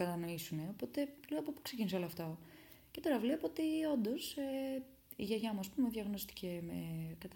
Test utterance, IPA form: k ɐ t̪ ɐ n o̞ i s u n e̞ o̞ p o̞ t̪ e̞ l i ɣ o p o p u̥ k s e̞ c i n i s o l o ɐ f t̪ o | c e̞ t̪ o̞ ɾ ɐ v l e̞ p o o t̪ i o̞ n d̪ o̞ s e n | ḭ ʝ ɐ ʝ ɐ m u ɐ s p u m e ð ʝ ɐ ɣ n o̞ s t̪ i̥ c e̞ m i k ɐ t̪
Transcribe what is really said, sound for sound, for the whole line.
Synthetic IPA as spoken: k ɐ t̪ ɐ n o̞ i s u n e̞ o̞ p o̞ t̪ e̞ l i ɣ o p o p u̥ k s e̞ c i n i s o l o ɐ f t̪ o | c e̞ t̪ o̞ ɾ ɐ v l e̞ p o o t̪ i o̞ n d̪ o̞ s e | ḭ ʝ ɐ ʝ ɐ m u ɐ s p u m e ð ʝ ɐ ɣ n o̞ s t̪ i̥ c e̞ m e k ɐ t̪